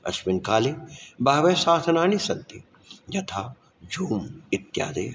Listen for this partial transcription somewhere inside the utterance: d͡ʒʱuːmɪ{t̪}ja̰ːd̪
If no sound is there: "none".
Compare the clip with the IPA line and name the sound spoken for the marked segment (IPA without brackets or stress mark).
t̪